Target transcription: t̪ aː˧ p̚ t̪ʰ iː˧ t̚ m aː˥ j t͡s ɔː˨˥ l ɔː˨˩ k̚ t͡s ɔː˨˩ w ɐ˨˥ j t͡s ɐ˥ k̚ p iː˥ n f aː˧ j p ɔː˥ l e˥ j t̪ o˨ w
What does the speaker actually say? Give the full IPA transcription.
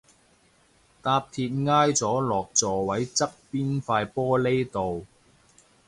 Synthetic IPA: t̪ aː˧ p̚ t̪ʰ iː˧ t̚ ŋ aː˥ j t͡s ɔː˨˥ l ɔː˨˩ k̚ t͡s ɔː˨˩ w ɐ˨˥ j t͡s ɐ˥ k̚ p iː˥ n f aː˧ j p ɔː˥ l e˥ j t̪ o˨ w

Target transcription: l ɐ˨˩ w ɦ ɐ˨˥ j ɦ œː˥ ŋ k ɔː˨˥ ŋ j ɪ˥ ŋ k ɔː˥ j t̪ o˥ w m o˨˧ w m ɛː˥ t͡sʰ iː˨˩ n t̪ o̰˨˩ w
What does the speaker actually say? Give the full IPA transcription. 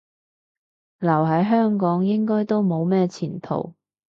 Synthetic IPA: l ɐ˨˩ w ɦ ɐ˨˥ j ɦ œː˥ ŋ k ɔː˨˥ ŋ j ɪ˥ ŋ k ɔː˥ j t̪ o˥ w m o˨˧ w m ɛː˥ t͡sʰ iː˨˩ n t̪ʰ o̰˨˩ w

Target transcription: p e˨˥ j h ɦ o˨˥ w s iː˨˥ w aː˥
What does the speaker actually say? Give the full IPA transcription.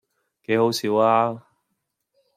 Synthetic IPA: k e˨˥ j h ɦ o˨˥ w s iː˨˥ w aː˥

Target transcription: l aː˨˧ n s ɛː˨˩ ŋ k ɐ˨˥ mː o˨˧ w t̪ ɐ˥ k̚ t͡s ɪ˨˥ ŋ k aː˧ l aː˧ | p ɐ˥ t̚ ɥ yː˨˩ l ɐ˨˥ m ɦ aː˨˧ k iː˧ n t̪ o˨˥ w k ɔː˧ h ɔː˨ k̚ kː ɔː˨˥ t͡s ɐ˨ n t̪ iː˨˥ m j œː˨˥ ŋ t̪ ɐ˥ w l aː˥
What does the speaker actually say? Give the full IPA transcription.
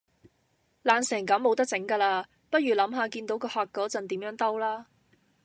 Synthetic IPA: l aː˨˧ n s ɛː˨˩ ŋ k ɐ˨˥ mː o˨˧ w t̪ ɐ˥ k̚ t͡s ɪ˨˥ ŋ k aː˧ l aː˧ | p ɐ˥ t̚ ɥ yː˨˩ l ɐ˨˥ m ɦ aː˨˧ k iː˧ n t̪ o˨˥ w k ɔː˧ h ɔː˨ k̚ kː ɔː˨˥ t͡s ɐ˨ n t̪ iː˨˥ m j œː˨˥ ŋ t̪ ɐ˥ w l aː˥

